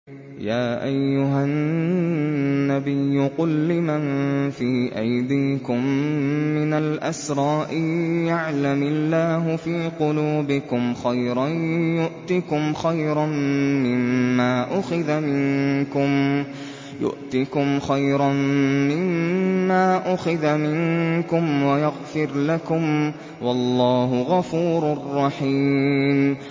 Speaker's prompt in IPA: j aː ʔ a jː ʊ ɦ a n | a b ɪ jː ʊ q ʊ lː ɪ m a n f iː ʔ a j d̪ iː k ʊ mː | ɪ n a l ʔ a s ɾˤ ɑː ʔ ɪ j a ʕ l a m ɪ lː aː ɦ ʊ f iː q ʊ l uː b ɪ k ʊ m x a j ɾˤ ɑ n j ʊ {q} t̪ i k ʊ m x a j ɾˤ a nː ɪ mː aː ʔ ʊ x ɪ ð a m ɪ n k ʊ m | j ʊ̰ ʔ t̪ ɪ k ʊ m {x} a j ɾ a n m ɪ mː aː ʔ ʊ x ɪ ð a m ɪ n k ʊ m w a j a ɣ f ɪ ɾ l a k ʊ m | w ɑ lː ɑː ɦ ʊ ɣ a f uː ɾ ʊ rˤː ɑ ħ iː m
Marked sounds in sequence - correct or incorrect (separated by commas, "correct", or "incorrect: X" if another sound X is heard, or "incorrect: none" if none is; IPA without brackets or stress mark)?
incorrect: ʔ, correct